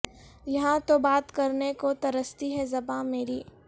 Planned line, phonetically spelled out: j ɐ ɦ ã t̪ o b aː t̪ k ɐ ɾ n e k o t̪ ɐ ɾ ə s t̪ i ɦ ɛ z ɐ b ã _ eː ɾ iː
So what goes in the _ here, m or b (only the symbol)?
m